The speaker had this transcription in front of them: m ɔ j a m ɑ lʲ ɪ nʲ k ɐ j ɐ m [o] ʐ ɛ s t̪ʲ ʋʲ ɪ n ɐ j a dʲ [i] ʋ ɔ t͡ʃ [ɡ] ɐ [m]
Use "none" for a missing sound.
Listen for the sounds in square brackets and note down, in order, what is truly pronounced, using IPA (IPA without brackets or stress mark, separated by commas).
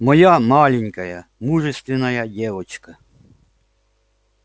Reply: u, ɛ, k, none